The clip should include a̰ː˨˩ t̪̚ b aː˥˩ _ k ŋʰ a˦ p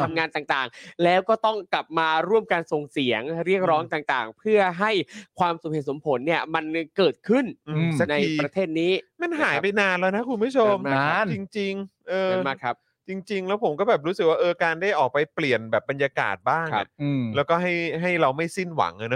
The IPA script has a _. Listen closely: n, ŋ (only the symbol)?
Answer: ŋ